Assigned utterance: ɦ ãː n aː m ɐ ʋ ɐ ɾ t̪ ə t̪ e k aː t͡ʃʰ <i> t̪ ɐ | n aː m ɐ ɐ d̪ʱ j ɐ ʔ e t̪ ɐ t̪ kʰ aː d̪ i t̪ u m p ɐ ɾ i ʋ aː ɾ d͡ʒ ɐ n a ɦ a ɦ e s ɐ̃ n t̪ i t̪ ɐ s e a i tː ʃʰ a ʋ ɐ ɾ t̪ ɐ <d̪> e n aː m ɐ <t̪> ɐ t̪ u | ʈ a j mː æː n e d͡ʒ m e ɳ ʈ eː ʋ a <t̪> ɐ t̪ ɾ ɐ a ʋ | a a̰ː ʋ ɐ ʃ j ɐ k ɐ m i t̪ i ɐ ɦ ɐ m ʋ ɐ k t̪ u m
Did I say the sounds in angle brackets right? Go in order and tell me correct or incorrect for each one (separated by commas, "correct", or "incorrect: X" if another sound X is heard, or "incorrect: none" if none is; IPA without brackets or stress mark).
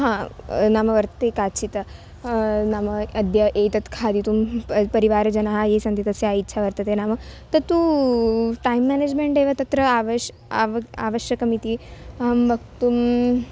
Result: correct, incorrect: t̪, correct, correct